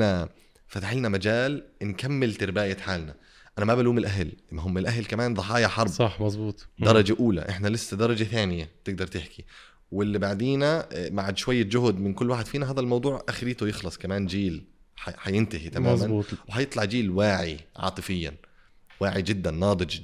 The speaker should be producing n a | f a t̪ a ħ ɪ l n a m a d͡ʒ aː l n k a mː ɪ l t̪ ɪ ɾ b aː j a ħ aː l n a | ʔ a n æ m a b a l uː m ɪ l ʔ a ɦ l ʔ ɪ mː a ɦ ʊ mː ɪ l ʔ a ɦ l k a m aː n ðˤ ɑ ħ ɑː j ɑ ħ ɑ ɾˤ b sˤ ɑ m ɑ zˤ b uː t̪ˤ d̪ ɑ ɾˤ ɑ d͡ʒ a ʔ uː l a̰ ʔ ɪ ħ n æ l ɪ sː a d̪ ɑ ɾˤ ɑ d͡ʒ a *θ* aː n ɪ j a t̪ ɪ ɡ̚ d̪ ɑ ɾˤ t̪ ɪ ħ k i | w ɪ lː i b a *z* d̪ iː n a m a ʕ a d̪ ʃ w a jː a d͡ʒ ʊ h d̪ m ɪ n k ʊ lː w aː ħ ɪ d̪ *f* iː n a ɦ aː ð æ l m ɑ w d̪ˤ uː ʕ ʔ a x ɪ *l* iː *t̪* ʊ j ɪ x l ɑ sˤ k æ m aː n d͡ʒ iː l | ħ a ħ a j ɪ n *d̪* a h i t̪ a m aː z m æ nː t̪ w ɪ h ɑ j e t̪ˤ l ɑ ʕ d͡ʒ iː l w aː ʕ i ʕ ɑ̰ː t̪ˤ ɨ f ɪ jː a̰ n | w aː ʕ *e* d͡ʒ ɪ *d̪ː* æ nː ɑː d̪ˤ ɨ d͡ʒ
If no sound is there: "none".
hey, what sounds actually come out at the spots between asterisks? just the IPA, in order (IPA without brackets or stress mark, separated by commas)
θ, ʕ, f, ɾ, t̪, t̪, i, d̪ː